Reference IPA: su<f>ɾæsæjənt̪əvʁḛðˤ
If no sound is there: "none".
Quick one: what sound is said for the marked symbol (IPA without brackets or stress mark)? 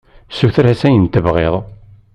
θ